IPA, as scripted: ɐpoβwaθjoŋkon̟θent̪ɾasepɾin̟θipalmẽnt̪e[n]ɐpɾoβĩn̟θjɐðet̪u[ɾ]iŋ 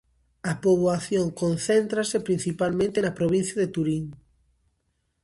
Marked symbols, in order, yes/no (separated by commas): yes, yes